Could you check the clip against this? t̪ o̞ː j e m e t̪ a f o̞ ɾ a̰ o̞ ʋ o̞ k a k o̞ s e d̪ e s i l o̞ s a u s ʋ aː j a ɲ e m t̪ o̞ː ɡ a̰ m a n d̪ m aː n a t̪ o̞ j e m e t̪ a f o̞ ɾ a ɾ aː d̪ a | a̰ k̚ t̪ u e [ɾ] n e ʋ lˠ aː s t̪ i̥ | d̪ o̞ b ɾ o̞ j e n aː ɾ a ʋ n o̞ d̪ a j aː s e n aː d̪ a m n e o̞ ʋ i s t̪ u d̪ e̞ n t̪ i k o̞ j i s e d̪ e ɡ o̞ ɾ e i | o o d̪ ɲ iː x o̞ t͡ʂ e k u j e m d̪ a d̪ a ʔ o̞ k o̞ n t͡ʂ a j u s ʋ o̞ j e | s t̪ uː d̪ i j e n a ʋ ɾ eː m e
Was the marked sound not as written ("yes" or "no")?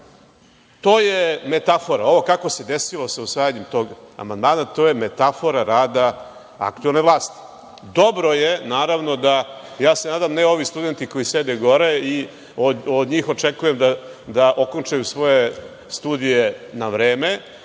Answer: yes